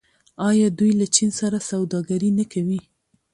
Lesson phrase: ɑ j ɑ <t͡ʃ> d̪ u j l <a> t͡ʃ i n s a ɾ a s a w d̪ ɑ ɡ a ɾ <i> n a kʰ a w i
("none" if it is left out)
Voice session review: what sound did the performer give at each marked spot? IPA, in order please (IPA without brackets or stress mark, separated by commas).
none, a, i